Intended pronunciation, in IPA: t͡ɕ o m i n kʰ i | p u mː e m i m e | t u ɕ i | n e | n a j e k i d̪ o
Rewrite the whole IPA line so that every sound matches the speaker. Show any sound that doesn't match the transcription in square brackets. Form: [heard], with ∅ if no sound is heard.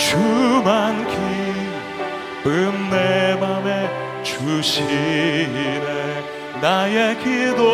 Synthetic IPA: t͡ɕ [u] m [a] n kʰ i | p [ɯ] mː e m [a] m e | [t͡ɕ] u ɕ i | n e | n a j e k i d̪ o